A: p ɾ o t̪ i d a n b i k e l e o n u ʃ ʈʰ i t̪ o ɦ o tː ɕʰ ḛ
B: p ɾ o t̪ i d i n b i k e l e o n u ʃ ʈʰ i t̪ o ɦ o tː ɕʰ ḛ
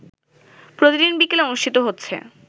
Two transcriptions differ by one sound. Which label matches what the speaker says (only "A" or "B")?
B